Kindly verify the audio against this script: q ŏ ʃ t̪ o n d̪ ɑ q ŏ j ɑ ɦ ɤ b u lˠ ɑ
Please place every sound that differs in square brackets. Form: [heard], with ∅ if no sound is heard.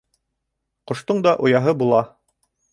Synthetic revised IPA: q ŏ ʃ t̪ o [ɴ] d̪ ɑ [ʔ] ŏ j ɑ ɦ ɤ b u lˠ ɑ